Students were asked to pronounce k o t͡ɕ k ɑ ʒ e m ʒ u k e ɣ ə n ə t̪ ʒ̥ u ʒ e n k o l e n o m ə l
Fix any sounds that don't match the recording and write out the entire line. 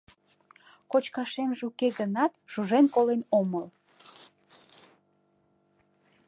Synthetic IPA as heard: k o t͡ɕ k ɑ ʃ e m ʒ u k e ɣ ə n ɑ t̪ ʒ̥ u ʒ e n k o l e n o m ə l